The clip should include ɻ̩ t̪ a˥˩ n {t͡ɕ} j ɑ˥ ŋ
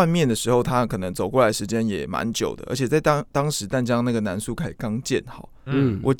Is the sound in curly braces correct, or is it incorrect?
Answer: correct